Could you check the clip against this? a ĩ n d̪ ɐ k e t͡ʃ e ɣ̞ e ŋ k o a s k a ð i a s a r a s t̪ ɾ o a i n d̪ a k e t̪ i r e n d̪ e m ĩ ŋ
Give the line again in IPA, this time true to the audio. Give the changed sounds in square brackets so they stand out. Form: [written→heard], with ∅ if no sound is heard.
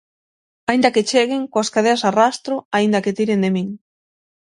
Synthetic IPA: a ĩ n d̪ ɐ k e t͡ʃ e ɣ̞ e ŋ k o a s k a ð [i→e] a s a r a s t̪ ɾ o a i n d̪ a k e t̪ i [r→ɾ] e n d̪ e m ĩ ŋ